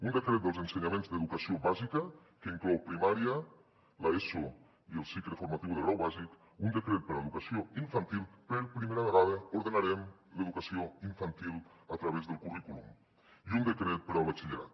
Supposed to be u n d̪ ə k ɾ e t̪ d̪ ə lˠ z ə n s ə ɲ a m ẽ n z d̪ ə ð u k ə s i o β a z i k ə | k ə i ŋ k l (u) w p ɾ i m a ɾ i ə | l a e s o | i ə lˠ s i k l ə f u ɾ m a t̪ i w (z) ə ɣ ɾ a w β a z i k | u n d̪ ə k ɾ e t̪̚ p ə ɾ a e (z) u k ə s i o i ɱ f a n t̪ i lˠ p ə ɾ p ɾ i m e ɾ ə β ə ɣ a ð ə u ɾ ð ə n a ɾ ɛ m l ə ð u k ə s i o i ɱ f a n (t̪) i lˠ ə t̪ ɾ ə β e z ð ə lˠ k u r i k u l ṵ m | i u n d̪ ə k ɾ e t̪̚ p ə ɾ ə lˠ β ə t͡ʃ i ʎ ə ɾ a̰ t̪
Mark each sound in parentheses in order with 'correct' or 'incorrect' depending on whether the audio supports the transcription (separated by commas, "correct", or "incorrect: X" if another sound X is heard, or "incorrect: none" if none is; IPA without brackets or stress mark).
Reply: incorrect: ɔ, incorrect: ð, incorrect: ð, correct